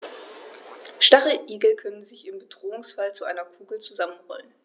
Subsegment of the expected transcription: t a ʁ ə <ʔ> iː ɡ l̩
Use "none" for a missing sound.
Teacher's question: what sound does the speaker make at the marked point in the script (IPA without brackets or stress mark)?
ʔ